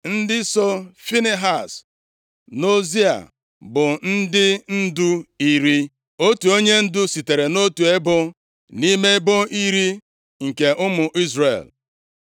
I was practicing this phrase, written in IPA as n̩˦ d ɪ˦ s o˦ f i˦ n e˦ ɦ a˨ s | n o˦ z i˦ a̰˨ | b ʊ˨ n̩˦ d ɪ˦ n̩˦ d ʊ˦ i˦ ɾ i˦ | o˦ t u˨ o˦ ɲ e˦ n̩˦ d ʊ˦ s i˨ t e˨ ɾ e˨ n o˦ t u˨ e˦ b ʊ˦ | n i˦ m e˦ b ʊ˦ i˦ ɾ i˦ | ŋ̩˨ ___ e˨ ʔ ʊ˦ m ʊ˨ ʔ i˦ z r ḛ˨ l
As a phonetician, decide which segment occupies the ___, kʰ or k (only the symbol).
k